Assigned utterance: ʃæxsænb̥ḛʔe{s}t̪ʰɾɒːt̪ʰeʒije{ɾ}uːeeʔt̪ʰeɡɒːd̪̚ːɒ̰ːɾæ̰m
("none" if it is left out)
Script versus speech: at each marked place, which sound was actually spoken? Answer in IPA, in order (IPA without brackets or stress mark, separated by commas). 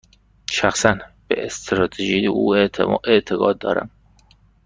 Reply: s, none